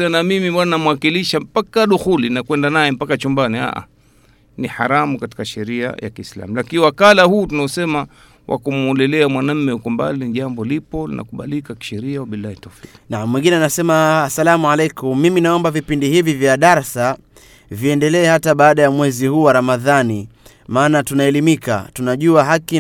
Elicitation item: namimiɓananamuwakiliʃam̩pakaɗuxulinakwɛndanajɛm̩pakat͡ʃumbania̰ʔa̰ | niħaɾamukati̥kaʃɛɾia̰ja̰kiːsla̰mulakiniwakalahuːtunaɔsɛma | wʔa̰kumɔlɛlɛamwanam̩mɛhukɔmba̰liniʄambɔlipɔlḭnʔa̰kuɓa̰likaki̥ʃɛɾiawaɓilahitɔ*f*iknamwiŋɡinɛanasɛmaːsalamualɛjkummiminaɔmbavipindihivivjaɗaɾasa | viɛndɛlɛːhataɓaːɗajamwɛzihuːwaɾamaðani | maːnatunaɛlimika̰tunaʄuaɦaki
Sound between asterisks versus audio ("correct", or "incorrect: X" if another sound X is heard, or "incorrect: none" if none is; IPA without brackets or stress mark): correct